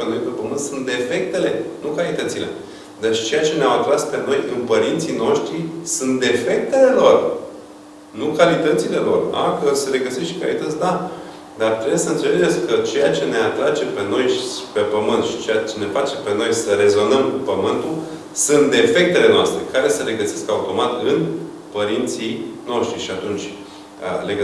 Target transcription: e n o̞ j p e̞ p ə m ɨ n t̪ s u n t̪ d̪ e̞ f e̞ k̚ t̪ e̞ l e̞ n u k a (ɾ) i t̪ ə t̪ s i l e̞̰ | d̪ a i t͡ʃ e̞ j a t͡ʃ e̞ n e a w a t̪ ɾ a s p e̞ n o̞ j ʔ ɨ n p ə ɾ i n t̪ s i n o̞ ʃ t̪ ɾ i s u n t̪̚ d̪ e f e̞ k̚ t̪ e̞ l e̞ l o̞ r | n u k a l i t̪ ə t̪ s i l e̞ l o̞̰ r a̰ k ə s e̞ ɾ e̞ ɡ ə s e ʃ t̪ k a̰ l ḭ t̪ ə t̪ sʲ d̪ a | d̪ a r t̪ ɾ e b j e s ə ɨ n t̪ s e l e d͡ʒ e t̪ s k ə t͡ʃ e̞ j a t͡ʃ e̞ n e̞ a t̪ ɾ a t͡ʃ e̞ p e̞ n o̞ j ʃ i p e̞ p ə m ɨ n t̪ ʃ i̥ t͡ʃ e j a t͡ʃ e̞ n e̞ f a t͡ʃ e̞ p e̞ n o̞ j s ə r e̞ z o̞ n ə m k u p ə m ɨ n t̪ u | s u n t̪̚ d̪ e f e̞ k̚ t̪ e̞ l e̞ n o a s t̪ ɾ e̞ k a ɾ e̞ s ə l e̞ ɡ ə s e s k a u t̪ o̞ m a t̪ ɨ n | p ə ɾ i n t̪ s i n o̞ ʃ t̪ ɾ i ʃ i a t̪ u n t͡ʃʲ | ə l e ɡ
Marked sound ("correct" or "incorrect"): incorrect